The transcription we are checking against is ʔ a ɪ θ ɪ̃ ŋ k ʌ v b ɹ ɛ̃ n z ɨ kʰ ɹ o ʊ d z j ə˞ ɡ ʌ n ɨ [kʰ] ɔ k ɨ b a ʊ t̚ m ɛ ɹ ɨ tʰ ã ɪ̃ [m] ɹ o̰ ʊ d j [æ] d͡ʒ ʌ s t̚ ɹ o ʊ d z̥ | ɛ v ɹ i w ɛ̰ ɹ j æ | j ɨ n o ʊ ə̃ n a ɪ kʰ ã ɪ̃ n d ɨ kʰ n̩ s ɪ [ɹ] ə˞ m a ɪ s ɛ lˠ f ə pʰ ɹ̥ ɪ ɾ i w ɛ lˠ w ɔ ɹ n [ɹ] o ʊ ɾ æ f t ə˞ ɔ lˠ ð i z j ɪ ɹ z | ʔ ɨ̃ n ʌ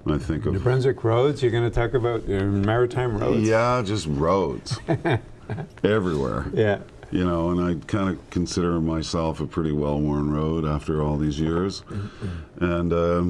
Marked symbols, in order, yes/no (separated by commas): no, yes, yes, no, yes